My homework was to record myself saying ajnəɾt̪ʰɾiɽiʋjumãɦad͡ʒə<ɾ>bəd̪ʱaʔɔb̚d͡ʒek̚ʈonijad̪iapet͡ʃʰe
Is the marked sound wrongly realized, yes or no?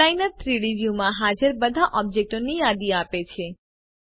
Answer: no